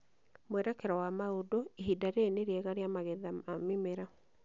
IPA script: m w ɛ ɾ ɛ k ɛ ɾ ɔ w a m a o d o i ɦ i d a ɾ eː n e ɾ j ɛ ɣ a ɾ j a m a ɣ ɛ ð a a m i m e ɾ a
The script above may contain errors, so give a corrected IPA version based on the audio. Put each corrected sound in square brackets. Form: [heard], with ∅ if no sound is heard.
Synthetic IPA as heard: m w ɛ ɾ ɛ k ɛ ɾ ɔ w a m a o d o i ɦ i d a ɾ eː n e ɾ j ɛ ɣ a ɾ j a m a ɣ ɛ ð a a m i m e ɾ a